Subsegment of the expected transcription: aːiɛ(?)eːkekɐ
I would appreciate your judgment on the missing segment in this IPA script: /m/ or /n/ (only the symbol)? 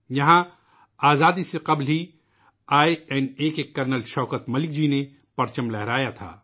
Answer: n